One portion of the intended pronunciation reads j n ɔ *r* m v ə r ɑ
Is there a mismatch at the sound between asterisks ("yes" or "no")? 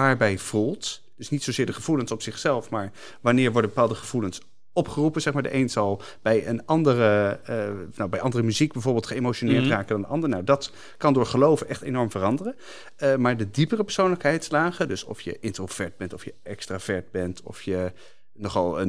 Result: yes